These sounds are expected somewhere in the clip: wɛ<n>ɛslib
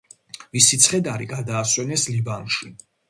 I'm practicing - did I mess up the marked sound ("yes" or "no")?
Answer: no